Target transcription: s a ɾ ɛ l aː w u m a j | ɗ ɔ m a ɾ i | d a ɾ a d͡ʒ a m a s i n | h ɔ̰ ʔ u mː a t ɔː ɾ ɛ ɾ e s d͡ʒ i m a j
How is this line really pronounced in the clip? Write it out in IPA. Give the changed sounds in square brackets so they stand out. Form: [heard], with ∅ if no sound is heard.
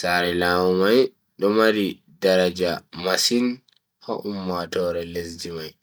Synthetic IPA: s a ɾ ɛ l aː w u m a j | ɗ ɔ m a ɾ i | d a ɾ a d͡ʒ a m a s i n | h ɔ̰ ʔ u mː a t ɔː ɾ ɛ [l] e s d͡ʒ i m a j